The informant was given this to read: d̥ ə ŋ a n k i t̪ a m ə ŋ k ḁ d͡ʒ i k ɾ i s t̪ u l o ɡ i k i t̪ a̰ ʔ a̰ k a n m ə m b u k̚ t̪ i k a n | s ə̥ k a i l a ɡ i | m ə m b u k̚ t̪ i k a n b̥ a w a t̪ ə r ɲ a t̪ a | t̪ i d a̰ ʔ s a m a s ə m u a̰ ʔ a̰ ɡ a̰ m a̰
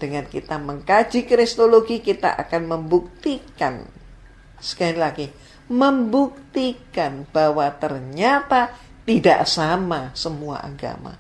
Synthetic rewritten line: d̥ ə ŋ a n k i t̪ a m ə ŋ k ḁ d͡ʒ i k ɾ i s t̪ o l o ɡ i k i t̪ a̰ ʔ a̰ k a n m ə m b u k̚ t̪ i k a n | s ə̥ k a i l a ɡ i | m ə m b u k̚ t̪ i k a n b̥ a w a t̪ ə r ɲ a t̪ a | t̪ i d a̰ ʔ s a m a s ə m u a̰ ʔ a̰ ɡ a̰ m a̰